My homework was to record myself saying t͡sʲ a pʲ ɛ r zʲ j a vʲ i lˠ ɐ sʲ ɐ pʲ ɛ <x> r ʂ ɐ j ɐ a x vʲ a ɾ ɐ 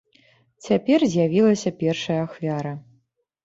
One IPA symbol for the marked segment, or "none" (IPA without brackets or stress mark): none